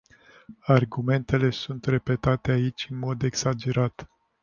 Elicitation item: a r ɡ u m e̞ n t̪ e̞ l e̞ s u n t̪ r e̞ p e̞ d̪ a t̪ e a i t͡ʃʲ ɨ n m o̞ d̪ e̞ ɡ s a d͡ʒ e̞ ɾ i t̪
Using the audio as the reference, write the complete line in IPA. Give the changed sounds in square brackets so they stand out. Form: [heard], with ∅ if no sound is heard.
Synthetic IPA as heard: a r ɡ u m e̞ n t̪ e̞ l e̞ s u n t̪ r e̞ p e̞ [t̪] a t̪ e a i t͡ʃʲ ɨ n m o̞ d̪ e̞ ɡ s a d͡ʒ e̞ ɾ [a] t̪